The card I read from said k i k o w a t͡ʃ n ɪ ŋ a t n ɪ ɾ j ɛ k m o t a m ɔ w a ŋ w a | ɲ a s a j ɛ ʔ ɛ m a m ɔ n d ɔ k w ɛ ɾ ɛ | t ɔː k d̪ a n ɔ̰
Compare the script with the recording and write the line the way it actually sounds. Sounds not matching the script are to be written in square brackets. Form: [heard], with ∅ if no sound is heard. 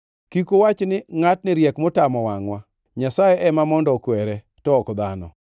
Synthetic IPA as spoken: k i k o w a t͡ʃ n ɪ ŋ a t n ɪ ɾ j ɛ k m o t a m ɔ w a ŋ w a | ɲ a s a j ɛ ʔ ɛ m a m ɔ n d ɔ k w ɛ ɾ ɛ | t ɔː k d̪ a n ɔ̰